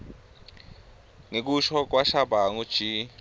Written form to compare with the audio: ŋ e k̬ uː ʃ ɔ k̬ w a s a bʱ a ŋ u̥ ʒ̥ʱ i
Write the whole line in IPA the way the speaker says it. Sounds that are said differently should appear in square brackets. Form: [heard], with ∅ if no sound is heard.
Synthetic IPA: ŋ e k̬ [u] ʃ ɔ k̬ w a [ʃ] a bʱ a ŋ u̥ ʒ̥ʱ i

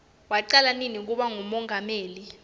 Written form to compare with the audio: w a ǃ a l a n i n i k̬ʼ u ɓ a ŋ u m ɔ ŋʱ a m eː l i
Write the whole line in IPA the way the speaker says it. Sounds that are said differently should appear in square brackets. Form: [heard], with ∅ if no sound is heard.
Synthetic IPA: w a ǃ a l a n i n i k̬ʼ u ɓ a ŋ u m ɔ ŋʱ a m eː l i

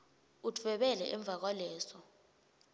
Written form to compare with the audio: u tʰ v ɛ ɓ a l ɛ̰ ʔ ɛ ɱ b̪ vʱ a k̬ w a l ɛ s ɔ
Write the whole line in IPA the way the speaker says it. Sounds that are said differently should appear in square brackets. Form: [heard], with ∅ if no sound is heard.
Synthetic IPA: u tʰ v ɛ ɓ [ɛ] l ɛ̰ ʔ ɛ ɱ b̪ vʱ a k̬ w a l [ɛː] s ɔ

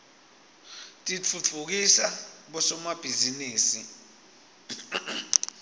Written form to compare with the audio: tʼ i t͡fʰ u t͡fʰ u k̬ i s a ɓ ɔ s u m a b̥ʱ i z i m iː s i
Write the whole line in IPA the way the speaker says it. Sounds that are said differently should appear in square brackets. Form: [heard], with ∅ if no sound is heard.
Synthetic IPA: tʼ i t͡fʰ u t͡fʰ u k̬ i s a ɓ ɔ s [ɔ] m a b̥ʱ i z i [n] iː s i

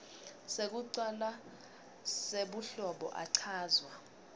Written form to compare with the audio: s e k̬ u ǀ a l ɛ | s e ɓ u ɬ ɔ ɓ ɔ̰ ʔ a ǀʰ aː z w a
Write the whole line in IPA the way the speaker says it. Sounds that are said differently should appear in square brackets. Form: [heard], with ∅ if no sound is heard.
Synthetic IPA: s e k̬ u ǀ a l [a] | s e ɓ u ɬ ɔ ɓ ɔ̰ ʔ a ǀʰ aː z w a

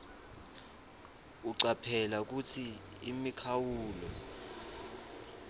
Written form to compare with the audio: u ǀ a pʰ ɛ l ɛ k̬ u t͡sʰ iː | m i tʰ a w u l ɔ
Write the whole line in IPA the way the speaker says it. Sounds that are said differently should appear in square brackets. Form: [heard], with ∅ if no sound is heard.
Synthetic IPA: u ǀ a pʰ ɛ l [a] k̬ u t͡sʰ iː | m i [kʰ] a w [uː] l ɔ

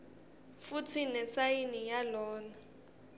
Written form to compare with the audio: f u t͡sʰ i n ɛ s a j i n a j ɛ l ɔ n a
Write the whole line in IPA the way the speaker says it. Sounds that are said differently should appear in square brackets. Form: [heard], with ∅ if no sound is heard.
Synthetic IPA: f u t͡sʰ i n ɛ s a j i n [i] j [a] l [ɔː] n a

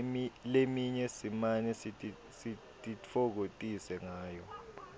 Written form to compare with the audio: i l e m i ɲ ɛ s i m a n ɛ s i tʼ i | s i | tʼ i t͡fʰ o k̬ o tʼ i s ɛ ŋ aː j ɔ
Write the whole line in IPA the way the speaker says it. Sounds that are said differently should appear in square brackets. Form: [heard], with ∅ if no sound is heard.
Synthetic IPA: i l e m i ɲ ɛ s i m a n ɛ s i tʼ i | s i | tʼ i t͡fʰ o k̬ o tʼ i s ɛ ŋ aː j ɔ

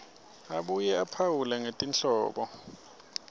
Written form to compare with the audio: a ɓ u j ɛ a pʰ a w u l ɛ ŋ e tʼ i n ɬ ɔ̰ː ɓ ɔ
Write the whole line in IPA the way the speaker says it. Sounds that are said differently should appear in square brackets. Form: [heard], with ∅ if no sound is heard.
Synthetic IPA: a ɓ u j ɛ a pʰ a w u l ɛ ŋ e tʼ i n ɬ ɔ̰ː ɓ ɔ

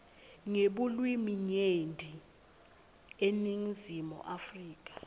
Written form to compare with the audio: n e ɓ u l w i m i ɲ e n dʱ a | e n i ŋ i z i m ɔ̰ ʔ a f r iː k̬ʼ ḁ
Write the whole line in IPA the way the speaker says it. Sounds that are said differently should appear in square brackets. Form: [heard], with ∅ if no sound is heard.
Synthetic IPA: [ŋ] e ɓ u l w i m i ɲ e n dʱ [i] | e n i ŋ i z i m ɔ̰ ʔ a f r iː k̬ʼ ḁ

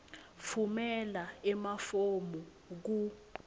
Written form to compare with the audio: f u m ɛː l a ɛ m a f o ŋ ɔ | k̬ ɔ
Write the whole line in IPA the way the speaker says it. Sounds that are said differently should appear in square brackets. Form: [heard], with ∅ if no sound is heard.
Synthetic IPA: f u m [ɛ] l a ɛ m a f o [m] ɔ | k̬ [u]

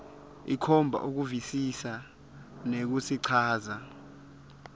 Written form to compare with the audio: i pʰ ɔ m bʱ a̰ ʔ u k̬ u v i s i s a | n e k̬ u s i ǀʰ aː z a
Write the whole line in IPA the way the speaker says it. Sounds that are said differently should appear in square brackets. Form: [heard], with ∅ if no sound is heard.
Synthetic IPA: i [kʰ] ɔ m bʱ a̰ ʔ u k̬ u v i s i s a | n e k̬ u s i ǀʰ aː z a

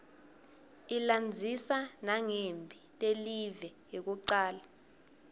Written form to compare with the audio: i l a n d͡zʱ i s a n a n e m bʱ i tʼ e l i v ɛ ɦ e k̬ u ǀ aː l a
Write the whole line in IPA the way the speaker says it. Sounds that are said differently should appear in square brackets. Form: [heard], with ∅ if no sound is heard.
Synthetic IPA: i l a n d͡zʱ i s a n a [ŋ] e m bʱ i tʼ e l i v ɛ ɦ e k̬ u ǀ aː l a

